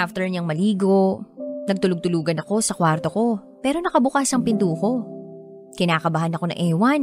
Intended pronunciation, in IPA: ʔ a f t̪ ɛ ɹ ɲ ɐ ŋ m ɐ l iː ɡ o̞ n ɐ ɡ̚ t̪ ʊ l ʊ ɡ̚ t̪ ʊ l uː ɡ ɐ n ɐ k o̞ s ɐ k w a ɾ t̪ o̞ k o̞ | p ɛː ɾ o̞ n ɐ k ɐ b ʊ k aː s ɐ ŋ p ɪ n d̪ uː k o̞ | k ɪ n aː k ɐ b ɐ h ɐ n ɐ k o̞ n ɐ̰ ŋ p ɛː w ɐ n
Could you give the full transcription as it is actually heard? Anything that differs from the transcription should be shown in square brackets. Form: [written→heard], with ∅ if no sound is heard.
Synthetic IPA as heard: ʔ a f t̪ ɛ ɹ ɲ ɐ ŋ m ɐ l iː ɡ o̞ n ɐ ɡ̚ t̪ ʊ l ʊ ɡ̚ t̪ ʊ l uː ɡ ɐ n ɐ k o̞ s ɐ k w a ɾ t̪ o̞ k o̞ | p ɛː ɾ o̞ n ɐ k ɐ b ʊ k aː s ɐ ŋ p ɪ n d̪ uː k o̞ | k ɪ n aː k ɐ b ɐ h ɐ n ɐ k o̞ n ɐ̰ ŋ [p→ʔ] ɛː w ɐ n